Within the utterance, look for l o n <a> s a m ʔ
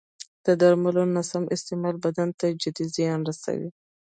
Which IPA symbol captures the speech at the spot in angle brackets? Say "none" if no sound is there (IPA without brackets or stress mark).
a